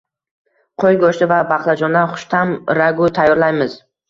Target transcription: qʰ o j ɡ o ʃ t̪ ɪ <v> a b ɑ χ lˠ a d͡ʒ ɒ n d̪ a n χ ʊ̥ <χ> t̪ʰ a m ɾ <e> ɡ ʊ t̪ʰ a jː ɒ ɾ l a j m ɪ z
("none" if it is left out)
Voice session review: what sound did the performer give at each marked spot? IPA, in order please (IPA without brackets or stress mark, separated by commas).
v, ʃ, a